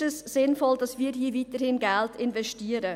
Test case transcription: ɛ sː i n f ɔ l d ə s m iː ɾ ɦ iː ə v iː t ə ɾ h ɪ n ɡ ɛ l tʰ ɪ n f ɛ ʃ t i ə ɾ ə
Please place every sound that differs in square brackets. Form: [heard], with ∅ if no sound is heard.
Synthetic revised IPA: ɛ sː [ɪ] n f ɔ l d [ɑ] s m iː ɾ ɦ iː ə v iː t ə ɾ h ɪ n ɡ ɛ l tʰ ɪ n [v] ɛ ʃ t i ə ɾ ə